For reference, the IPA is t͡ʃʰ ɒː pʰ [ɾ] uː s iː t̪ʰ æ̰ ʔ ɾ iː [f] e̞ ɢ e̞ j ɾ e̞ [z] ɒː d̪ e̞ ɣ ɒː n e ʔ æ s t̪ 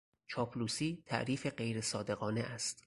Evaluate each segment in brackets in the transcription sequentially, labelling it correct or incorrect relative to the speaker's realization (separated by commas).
incorrect, correct, incorrect